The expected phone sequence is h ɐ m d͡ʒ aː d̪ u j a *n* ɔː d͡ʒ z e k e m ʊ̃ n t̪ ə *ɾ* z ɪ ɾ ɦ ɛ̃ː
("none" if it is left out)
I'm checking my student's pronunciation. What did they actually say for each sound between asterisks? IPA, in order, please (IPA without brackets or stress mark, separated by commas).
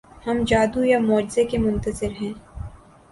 m, none